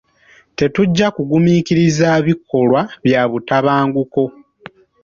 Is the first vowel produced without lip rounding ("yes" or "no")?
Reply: yes